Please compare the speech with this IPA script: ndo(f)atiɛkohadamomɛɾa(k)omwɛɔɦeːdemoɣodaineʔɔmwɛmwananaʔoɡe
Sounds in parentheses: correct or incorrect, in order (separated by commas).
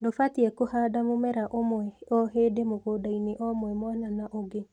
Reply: correct, incorrect